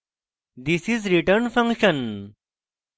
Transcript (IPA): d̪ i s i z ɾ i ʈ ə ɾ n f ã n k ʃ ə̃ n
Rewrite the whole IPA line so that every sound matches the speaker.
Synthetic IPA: d̪ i s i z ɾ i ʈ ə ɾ n f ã ŋ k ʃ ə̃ n